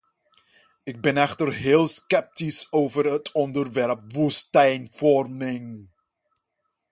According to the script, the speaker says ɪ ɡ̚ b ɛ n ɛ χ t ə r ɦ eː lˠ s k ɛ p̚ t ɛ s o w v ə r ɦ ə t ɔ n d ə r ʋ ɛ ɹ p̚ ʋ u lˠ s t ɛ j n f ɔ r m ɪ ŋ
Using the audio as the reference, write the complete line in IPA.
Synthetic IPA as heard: ɪ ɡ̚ b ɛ n ɛ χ t ə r ɦ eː lˠ s k ɛ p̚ t i s o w v ə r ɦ ə t ɔ n d ə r ʋ ɛ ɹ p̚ ʋ u s t ɛ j n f ɔ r m ɪ ŋ